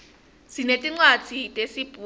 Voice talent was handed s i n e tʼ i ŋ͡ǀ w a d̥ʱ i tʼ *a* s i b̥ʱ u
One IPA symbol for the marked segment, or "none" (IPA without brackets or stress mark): e